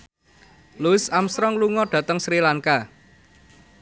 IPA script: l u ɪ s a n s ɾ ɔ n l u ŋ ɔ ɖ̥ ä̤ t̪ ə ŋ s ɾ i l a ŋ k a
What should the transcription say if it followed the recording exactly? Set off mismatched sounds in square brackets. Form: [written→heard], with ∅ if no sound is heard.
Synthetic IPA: l u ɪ s a [n→m] s ɾ ɔ [n→ŋ] l u ŋ ɔ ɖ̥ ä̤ t̪ ə ŋ s ɾ i l a ŋ k a